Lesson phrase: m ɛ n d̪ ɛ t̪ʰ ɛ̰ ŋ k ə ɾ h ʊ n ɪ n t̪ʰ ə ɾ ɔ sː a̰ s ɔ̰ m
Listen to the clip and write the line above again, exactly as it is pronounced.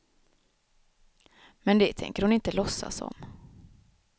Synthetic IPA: m ɛ n d̪ ɛ t̪ʰ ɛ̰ ŋ k ə ɾ h ʊ n ɪ n t̪ ə l ɔ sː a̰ s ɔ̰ m

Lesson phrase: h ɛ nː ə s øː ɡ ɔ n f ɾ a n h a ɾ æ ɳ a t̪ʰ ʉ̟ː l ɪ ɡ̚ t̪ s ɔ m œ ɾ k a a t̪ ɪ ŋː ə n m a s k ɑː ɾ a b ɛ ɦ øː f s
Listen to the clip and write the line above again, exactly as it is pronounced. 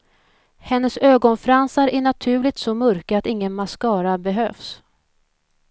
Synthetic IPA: h ɛ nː ə s øː ɡ ɔ n f ɾ a n s a ɾ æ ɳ a t̪ʰ ʉ̟ː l ɪ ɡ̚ t̪ s ɔ m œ ɾ k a a t̪ ɪ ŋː ə n m a s k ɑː ɾ a b ɛ ɦ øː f s

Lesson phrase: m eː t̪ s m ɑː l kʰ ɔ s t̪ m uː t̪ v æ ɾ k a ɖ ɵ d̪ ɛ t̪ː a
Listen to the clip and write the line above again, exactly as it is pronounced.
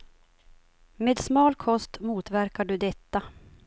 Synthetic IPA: m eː d̪ s m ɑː l kʰ ɔ s t̪ m uː t̪ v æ ɾ k a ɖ ɵ d̪ ɛ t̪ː a

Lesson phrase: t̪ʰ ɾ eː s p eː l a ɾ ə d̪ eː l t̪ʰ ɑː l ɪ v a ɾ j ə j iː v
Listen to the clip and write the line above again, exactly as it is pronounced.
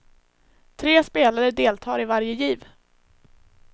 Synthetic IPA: t̪ʰ ɾ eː s p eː l a ɾ ə d̪ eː l t̪ʰ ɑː ɾ ɪ v a ɾ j ə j iː v

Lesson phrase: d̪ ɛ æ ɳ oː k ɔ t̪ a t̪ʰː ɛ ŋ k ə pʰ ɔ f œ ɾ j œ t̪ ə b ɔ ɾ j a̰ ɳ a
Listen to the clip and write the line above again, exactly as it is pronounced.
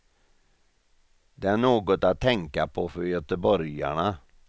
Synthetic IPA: d̪ ɛ æ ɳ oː ɡ ɔ t̪ a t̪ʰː ɛ ŋ k a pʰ ɔ f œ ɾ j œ t̪ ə b ɔ ɾ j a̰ ɳ a

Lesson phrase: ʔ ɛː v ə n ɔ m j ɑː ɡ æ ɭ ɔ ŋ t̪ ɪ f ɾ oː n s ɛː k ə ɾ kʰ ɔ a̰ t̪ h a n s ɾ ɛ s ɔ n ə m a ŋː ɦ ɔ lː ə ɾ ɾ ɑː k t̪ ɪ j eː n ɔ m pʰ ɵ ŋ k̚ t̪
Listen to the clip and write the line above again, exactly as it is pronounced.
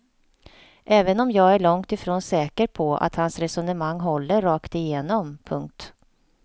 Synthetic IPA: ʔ ɛː v ə n ɔ m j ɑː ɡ æ ɭ ɔ ŋ t̪ ɪ f ɾ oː n s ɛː k ə ɾ pʰ ɔ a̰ t̪ h a n s ɾ ɛ s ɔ n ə m a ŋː ɦ ɔ lː ə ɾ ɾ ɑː k t̪ ɪ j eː n ɔ m pʰ ɵ ŋ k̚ t̪

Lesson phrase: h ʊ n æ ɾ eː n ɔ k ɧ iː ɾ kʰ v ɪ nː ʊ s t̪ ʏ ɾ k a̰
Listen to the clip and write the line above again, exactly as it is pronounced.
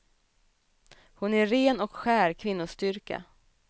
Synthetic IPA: h ʊ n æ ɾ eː n ɔ k ɧ æː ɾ kʰ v ɪ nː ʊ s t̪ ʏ ɾ k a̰

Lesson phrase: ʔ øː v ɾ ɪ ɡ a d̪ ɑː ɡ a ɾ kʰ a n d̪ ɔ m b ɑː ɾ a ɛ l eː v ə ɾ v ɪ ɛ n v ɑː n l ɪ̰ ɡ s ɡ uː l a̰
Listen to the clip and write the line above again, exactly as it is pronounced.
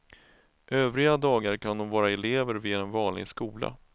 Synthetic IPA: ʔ øː v ɾ ɪ ɡ a d̪ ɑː ɡ a ɾ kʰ a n d̪ ɔ m v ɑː ɾ a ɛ l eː v ə ɾ v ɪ ɛ n v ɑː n l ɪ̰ ɡ s k uː l a̰

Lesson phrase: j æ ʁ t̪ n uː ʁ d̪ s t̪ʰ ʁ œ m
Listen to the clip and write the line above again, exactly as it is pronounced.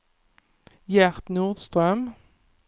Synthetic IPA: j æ ʁ t̪ n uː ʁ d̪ s t̪ ʁ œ m

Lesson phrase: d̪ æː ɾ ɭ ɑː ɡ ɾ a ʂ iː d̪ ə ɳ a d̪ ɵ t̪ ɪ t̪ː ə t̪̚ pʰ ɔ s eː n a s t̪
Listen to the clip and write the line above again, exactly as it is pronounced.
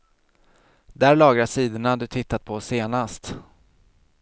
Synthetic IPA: d̪ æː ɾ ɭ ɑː ɡ ɾ a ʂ iː d̪ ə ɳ a d̪ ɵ t̪ʰ ɪ t̪ː a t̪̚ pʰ ɔ s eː n a s t̪

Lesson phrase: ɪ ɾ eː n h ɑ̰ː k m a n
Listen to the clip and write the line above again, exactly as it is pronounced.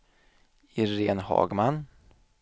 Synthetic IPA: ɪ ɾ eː n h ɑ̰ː ɡ m a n

